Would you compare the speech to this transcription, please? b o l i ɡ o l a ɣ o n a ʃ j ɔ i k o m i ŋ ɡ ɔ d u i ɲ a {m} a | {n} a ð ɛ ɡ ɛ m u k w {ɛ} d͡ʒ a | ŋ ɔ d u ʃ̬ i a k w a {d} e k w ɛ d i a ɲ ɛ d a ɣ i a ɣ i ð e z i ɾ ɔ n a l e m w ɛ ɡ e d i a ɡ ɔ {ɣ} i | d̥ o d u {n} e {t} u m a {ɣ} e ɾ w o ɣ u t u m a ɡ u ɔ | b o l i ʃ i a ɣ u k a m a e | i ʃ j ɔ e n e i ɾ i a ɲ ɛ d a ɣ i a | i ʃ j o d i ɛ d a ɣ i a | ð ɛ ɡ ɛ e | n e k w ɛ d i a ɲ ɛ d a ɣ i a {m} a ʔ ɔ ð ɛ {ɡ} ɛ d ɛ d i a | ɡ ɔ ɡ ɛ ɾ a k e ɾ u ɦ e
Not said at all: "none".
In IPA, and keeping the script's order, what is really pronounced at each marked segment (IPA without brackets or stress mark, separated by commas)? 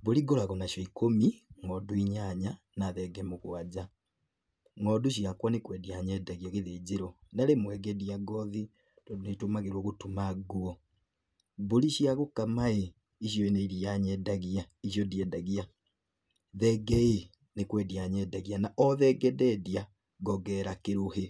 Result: ɲ, n, a, n, ð, n, t, ɣ, n, ɡ